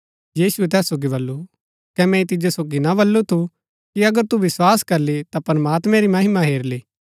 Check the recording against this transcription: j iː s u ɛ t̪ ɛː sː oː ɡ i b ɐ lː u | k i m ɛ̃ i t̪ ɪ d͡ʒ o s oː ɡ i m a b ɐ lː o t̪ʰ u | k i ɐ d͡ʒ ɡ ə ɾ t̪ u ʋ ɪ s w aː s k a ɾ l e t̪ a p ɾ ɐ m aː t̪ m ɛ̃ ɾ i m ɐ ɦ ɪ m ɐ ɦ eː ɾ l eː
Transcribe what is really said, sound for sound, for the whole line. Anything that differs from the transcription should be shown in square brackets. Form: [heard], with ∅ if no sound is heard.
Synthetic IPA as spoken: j iː s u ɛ t̪ ɛː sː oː ɡ i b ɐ lː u | k [ɛ] m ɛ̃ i t̪ ɪ d͡ʒ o s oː ɡ i [n] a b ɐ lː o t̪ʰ u | k i ɐ [∅] ɡ ə ɾ t̪ u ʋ ɪ s w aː s k [ɐ] ɾ l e t̪ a p ɾ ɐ m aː t̪ m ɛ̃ ɾ i m ɐ ɦ ɪ m [a] ɦ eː ɾ l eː